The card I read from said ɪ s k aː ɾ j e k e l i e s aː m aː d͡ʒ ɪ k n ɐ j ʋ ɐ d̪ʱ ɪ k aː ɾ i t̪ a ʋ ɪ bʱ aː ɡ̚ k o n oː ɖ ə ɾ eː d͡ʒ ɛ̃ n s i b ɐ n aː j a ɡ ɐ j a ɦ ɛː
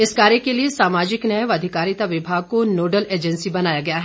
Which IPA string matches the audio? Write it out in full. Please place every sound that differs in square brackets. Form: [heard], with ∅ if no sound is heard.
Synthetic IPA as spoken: ɪ s k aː ɾ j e k e l i e s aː m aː d͡ʒ ɪ k n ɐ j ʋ ɐ d̪ʱ ɪ k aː ɾ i t̪ a ʋ ɪ bʱ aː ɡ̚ k o n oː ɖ ə [l] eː d͡ʒ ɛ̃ n s i b ɐ n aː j a ɡ ɐ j a ɦ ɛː